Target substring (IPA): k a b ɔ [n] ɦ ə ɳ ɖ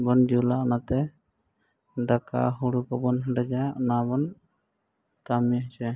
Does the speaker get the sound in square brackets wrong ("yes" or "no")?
no